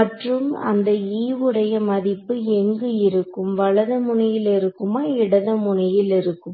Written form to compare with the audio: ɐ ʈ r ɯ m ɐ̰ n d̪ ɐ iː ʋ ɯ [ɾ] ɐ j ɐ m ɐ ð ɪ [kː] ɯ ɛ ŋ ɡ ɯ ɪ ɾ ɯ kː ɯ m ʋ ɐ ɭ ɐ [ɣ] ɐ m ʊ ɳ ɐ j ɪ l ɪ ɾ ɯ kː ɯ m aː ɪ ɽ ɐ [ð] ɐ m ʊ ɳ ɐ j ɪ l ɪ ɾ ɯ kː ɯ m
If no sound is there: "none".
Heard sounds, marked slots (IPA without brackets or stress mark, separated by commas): ɽ, pː, ð, ð